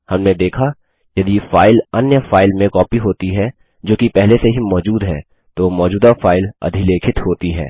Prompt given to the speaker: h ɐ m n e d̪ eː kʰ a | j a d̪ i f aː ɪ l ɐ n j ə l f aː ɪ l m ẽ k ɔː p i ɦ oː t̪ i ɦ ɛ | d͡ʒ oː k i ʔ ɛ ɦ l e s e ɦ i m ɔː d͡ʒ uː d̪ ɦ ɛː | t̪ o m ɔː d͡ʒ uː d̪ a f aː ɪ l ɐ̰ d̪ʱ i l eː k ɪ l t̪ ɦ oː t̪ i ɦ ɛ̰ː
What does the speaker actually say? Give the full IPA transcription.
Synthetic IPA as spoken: h ɐ m n e d̪ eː kʰ a | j ɐ d̪ i f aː ɪ l ɐ n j ə f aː ɪ l m ẽ k ɔː p i ɦ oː t̪ i ɦ ɛ | d͡ʒ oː k i p ɛ ɦ l e s e ɦ i m ɔː d͡ʒ uː d̪ ɦ ɛː | t̪ o m ɔː d͡ʒ uː d̪ a f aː ɪ l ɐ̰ d̪ʱ i l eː kʰ ɪ t̪ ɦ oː t̪ i ɦ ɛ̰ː

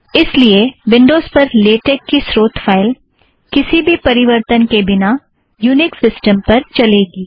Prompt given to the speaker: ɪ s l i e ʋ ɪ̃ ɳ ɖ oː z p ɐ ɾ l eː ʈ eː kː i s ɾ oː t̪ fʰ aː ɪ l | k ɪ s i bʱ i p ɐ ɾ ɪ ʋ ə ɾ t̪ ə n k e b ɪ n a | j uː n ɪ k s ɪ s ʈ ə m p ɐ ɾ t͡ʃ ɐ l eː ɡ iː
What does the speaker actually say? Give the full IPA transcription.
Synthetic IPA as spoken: ɪ s l i e ʋ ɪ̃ ɳ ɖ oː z p ɐ ɾ l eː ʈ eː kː i s ɾ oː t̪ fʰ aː ɪ l | k ɪ s i bʱ i p ɐ ɾ ɪ ʋ ə ɾ t̪ ə n k e b ɪ n a | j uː n ɪ k s ɪ s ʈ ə m p ɐ ɾ t͡ʃ ɐ l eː ɡ iː

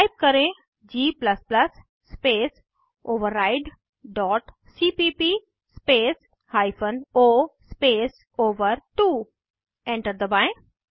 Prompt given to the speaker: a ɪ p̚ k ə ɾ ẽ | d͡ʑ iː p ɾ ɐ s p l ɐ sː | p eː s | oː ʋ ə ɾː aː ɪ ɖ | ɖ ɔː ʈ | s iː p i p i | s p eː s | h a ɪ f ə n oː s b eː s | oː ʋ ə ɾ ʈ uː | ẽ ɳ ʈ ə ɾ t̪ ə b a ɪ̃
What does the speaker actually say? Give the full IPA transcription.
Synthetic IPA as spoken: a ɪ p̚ k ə ɾ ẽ | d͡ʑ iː p l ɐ s p l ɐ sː | p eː s | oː ʋ ə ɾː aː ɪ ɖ | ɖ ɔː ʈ | s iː p i p i | s p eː s | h a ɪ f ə n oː s p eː s | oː ʋ ə ɾ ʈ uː | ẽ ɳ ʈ ə ɾ d̪ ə b a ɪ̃

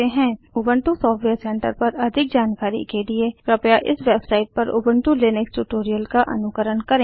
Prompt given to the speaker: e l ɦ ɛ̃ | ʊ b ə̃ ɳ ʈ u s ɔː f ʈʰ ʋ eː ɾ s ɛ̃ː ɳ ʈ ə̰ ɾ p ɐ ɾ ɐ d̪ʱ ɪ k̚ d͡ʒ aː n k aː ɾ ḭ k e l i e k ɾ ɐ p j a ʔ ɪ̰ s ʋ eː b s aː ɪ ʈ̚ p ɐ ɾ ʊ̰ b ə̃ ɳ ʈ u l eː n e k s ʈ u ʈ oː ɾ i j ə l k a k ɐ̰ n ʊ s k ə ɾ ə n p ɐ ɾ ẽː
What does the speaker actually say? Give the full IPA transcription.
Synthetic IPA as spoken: e ɦ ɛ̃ | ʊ b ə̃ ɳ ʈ u s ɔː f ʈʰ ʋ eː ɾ s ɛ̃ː ɳ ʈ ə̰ ɾ p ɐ ɾ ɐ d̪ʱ ɪ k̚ d͡ʒ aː n k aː ɾ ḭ k e l i e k ɾ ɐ p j a ʔ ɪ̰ s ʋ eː b s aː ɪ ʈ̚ p ɐ ɾ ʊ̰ b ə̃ ɳ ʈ u l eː n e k s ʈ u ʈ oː ɾ i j ə l k a ʔ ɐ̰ n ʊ k ə ɾ ə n k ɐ ɾ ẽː

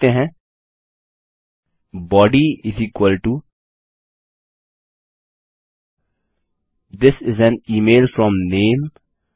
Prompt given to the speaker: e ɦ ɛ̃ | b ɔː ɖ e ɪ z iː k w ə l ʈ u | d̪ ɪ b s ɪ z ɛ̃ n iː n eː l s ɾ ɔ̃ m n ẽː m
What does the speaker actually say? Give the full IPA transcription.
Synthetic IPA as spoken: e ɦ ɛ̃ | b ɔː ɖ i ɪ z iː k w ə l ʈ u | d̪ ɪ s ɪ z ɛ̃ n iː m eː l f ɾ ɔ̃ m n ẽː m

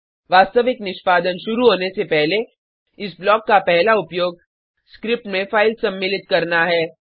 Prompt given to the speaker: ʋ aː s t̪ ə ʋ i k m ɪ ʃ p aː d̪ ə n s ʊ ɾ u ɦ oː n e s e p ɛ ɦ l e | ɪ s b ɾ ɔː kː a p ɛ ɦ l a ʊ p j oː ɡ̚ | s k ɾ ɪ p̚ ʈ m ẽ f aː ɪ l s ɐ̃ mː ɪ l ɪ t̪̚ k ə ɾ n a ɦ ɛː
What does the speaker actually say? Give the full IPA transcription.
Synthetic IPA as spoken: ʋ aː s t̪ ə ʋ ɪ k n ɪ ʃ p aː d̪ ə n ʃ ʊ ɾ u ɦ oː n e s e p ɛ ɦ l e | ɪ s b l ɔː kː a p ɛ ɦ l a ʊ p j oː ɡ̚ | s k ɾ ɪ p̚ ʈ m ẽ f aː ɪ l s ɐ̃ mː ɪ l ɪ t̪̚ k ɐ ɾ n a ɦ ɛː

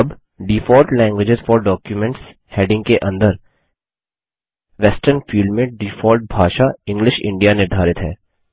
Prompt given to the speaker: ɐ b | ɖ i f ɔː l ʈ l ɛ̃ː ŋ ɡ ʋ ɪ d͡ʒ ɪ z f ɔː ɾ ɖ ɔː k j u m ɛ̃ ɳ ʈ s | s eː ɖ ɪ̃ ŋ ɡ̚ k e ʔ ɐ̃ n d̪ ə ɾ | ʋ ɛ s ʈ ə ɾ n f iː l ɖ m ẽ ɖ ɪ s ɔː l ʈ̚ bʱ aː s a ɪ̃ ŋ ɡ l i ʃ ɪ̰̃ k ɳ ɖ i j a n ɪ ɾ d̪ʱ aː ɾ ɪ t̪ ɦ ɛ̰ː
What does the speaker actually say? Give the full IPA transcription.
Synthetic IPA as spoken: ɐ b | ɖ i f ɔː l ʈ l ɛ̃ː ŋ ɡ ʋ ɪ d͡ʒ ɪ z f ɔː ɾ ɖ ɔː k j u m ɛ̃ ɳ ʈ s | h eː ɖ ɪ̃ ŋ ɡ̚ k e ʔ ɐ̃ n d̪ ə ɾ | ʋ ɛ s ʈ ə ɾ n f iː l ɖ m ẽ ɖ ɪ f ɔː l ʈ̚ bʱ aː ʃ a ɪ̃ ŋ ɡ l ɪ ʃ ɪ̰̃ ɳ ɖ i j a n ɪ ɾ d̪ʱ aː ɾ ɪ t̪ ɦ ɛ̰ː

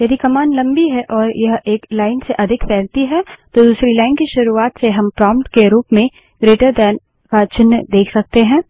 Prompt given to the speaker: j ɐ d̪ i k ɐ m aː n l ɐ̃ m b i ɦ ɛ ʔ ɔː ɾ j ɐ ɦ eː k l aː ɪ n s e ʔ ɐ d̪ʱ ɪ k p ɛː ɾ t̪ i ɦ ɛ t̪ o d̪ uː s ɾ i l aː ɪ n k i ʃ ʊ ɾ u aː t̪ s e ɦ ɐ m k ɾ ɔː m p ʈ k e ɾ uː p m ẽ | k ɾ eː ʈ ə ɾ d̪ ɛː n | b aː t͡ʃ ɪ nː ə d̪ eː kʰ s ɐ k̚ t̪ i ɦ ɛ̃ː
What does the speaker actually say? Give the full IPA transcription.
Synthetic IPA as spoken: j ɐ d̪ i k ɐ m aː n l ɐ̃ m b i ɦ ɛ ʔ ɔː ɾ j ɐ ɦ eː k l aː ɪ n s e ʔ ɐ d̪ʱ ɪ k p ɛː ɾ t̪ i ɦ ɛ t̪ o d̪ uː s ɾ i l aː ɪ n k i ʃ ʊ ɾ u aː t̪ s e ɦ ɐ m p ɾ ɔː m p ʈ k e ɾ uː p m ẽ | ɡ ɾ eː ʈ ə ɾ d̪ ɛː n | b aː t͡ʃ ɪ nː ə d̪ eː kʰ s ɐ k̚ t̪ e ɦ ɛ̃ː

